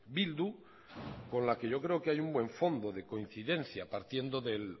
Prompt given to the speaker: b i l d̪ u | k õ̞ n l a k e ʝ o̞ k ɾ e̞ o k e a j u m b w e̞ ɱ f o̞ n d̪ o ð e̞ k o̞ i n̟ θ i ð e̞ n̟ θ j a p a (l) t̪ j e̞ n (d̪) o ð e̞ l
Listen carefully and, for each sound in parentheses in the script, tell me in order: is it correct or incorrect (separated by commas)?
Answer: incorrect, correct